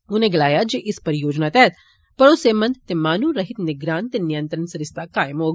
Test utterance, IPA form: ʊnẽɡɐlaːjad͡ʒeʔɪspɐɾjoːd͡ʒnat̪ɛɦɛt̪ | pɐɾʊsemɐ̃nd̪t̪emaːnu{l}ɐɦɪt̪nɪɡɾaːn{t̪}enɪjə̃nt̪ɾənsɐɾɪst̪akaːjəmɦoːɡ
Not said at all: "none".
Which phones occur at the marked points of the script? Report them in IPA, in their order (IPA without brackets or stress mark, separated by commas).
ɾ, t̪